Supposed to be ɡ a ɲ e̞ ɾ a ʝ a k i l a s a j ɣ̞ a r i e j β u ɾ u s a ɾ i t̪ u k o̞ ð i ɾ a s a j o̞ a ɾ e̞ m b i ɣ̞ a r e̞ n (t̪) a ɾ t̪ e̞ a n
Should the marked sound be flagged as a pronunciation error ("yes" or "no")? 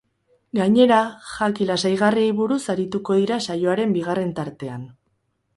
no